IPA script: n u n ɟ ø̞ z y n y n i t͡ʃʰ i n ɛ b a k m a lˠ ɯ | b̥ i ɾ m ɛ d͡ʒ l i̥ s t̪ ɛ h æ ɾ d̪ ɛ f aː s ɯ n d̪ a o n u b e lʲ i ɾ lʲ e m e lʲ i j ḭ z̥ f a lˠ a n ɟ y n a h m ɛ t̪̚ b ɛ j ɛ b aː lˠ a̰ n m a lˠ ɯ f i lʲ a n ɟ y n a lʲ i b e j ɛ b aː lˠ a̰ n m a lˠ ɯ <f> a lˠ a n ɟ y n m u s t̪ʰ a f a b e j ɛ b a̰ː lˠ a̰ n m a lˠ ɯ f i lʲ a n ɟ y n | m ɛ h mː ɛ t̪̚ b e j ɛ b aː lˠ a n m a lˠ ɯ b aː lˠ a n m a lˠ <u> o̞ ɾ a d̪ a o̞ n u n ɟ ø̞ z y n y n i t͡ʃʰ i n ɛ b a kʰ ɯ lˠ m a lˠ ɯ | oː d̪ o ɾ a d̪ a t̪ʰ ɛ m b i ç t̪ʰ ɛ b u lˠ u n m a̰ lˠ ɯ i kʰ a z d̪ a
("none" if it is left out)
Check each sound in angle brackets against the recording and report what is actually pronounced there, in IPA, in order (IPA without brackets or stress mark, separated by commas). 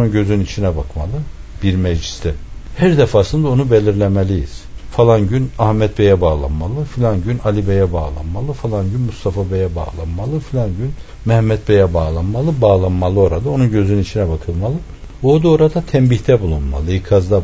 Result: f, ɯ